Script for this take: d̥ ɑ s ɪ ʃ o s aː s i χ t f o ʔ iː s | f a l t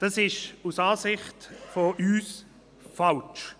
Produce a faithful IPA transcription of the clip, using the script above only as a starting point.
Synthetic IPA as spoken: d̥ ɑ s ɪ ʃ u s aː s ɪ χ t f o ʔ yː s | f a l t͡ʃ